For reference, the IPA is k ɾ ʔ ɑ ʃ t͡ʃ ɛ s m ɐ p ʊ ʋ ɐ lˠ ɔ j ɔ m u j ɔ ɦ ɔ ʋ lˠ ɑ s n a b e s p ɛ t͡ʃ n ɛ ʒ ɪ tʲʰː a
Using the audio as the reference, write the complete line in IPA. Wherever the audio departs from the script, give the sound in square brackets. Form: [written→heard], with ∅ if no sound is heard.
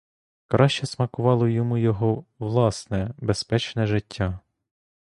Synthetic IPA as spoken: k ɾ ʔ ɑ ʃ t͡ʃ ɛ s m ɐ [p→k] ʊ ʋ [ɐ→ɑ] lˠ ɔ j ɔ m u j ɔ ɦ ɔ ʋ lˠ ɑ s n [a→ɛ] b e s p ɛ t͡ʃ n ɛ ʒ ɪ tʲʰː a